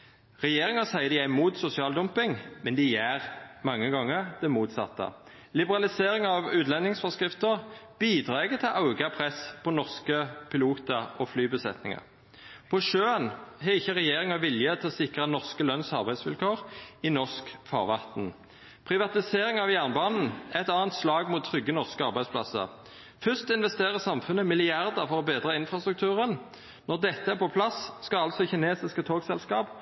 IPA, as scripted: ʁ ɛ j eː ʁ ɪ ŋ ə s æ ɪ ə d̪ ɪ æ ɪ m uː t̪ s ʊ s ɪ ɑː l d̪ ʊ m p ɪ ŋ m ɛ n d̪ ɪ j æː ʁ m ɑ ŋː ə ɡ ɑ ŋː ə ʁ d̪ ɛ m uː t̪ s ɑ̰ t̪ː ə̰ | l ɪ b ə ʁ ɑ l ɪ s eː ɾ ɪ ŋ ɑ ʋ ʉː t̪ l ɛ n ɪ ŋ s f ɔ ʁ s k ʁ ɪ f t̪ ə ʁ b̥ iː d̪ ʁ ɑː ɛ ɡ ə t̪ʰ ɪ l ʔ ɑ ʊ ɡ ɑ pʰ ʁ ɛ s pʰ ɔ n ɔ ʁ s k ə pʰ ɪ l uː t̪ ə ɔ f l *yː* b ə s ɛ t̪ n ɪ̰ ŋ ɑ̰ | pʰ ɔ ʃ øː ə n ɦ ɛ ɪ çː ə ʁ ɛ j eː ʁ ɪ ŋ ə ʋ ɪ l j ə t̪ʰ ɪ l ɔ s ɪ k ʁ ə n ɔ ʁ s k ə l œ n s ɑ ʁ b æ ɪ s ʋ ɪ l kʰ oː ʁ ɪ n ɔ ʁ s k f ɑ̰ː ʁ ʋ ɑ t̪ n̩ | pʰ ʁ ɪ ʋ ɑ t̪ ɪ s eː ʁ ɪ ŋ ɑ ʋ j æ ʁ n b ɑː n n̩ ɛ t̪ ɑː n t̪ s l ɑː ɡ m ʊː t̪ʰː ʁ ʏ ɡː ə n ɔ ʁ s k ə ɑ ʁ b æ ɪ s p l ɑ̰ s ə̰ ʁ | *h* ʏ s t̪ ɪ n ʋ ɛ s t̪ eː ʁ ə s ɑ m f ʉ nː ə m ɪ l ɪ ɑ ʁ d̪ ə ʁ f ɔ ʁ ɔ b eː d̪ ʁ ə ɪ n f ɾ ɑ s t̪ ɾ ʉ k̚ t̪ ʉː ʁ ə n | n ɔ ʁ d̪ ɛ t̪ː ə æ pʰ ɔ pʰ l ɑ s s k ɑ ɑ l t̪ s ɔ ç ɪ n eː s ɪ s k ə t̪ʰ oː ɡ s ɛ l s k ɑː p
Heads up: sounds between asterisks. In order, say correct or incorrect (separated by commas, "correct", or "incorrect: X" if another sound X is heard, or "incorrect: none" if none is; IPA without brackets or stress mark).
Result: correct, incorrect: f